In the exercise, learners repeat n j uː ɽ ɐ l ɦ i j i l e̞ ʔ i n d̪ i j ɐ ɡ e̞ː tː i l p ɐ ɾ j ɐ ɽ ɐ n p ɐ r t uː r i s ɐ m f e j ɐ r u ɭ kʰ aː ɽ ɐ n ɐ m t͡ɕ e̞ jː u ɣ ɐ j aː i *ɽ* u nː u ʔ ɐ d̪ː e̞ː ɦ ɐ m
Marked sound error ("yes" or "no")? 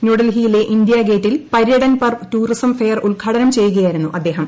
yes